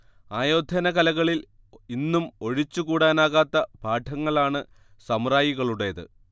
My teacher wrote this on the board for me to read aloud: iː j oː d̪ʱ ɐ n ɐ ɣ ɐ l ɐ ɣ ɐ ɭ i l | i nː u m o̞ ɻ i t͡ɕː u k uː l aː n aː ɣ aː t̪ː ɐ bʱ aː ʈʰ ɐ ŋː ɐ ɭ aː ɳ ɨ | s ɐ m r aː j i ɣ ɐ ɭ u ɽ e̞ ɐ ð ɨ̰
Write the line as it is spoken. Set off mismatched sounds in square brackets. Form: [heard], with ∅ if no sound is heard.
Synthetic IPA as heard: [aː] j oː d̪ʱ ɐ n ɐ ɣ ɐ l ɐ ɣ ɐ ɭ i l | i nː u m o̞ ɻ i t͡ɕː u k uː [ɽ] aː n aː ɣ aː t̪ː ɐ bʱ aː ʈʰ ɐ ŋː ɐ ɭ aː ɳ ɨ | s ɐ m r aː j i ɣ ɐ ɭ u ɽ e̞ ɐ ð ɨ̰